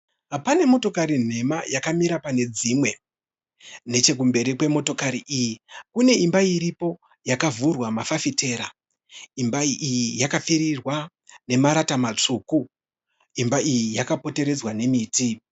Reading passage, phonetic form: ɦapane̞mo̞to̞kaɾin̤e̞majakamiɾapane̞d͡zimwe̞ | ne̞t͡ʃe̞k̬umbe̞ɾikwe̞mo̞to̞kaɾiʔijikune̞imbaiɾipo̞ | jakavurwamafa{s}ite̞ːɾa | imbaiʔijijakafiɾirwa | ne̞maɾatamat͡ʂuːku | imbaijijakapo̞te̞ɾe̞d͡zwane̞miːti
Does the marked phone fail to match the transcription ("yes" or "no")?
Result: yes